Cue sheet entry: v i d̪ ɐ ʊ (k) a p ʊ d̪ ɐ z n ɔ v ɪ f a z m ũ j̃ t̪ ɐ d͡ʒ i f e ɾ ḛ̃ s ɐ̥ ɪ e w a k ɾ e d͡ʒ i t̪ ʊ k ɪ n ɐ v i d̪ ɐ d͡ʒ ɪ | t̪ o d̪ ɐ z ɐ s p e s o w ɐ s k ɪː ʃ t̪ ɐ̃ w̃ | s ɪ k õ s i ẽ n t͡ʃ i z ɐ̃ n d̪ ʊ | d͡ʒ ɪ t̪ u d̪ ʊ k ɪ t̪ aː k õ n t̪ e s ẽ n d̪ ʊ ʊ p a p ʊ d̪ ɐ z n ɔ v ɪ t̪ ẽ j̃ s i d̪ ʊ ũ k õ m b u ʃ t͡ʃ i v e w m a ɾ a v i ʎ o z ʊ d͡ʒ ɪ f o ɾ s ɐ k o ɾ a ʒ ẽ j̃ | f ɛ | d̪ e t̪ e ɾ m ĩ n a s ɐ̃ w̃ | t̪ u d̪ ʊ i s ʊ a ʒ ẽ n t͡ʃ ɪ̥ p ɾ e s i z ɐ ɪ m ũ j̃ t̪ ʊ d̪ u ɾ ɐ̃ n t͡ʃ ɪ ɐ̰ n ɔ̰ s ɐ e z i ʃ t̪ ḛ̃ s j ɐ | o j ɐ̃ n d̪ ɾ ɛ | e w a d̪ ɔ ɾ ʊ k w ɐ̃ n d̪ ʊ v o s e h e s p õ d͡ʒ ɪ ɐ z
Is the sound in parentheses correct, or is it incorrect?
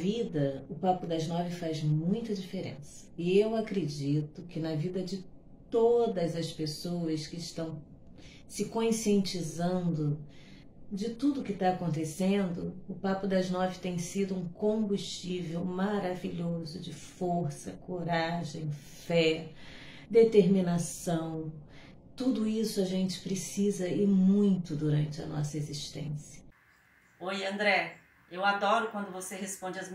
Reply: incorrect: p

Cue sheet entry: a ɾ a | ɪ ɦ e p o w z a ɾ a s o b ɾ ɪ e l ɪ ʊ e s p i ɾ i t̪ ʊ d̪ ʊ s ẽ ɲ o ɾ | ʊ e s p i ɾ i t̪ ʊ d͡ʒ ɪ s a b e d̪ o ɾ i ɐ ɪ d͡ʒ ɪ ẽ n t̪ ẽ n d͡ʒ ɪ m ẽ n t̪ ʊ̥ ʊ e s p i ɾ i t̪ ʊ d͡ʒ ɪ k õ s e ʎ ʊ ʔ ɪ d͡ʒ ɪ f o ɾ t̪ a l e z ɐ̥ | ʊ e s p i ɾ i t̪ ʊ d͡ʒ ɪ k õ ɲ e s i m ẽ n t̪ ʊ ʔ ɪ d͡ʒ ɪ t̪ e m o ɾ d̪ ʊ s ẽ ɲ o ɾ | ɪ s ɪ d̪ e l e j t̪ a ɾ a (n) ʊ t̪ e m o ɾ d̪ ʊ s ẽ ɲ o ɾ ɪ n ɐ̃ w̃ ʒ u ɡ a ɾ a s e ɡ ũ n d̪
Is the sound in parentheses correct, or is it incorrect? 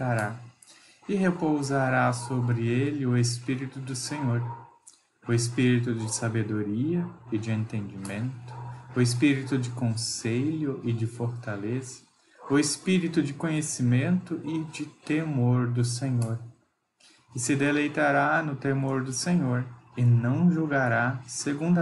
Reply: correct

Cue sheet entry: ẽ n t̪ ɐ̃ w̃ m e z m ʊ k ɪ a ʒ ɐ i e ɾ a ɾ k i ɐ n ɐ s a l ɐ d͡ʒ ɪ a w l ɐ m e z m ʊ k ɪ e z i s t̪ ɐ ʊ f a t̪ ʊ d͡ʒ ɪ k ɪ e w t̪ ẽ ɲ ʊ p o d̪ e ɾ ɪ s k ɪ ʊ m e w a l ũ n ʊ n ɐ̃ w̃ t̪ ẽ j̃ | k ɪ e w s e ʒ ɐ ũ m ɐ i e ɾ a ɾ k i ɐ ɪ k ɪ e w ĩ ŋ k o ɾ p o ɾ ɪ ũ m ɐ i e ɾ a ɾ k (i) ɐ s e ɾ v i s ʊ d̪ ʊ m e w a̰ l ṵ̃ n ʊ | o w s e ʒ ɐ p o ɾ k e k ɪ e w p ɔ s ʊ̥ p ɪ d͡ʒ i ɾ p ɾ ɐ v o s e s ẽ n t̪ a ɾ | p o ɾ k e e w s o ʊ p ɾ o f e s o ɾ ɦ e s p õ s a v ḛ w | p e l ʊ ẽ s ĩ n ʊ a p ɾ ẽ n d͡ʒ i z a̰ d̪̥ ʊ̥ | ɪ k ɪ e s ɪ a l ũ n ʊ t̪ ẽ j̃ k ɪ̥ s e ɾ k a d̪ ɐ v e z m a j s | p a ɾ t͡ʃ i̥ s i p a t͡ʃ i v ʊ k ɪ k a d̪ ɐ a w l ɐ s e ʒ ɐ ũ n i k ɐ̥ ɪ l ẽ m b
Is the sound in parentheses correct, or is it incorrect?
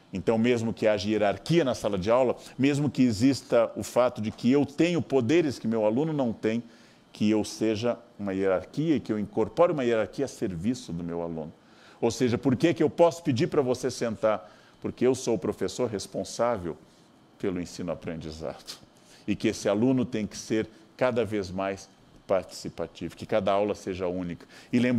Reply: correct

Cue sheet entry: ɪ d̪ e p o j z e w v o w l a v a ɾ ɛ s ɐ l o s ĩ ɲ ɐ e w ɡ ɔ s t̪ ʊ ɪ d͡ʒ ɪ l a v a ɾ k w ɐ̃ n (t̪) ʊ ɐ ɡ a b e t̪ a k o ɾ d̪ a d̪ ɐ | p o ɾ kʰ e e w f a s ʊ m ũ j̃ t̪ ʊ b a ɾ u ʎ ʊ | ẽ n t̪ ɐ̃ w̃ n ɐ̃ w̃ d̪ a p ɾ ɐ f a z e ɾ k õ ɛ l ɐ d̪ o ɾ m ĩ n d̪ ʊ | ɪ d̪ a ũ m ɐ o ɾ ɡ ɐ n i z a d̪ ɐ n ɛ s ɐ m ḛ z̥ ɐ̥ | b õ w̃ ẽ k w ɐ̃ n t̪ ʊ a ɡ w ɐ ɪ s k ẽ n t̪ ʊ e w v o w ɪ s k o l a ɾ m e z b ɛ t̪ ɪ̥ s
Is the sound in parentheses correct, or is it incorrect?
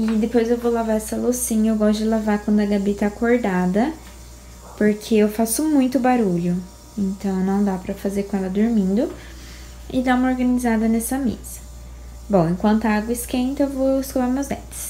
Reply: incorrect: d̪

